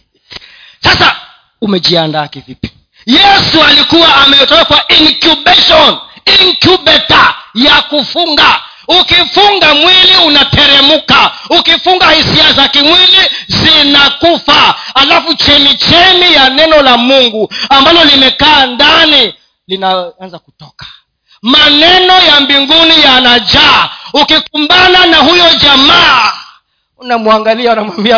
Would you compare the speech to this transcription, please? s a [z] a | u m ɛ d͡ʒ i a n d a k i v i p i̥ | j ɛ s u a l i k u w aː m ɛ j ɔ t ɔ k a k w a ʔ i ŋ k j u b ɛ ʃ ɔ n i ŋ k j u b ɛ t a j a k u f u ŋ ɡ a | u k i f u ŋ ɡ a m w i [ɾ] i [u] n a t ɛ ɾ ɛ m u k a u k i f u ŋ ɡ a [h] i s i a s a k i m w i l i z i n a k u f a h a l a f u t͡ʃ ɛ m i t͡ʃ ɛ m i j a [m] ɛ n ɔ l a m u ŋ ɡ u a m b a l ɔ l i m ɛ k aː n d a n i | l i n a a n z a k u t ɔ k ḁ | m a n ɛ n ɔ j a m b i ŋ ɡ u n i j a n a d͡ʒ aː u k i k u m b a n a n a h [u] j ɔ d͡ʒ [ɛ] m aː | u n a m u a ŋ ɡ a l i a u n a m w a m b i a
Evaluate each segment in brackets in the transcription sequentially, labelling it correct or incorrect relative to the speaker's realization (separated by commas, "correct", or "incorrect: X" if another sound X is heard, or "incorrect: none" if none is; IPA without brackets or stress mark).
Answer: incorrect: s, incorrect: l, correct, correct, incorrect: n, correct, incorrect: a